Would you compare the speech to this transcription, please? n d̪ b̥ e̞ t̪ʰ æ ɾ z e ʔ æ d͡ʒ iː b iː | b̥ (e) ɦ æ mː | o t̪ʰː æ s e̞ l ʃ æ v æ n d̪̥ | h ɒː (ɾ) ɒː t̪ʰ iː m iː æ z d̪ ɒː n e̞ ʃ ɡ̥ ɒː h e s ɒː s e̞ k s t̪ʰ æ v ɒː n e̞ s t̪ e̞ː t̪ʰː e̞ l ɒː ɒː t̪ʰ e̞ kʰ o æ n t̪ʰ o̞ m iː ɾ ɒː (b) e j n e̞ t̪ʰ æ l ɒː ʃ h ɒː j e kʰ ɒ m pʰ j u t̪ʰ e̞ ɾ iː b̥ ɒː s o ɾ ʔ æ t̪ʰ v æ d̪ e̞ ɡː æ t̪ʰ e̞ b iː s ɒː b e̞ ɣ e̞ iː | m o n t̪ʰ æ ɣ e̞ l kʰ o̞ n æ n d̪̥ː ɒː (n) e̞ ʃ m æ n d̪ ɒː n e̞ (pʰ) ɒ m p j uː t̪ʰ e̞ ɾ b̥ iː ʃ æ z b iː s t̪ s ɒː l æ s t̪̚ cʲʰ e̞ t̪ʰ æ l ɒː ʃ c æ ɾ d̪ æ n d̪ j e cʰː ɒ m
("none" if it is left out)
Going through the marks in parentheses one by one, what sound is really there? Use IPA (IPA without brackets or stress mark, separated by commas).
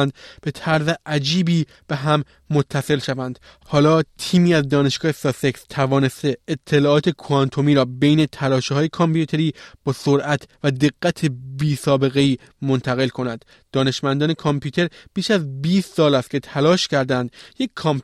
e, l, b, n, kʰ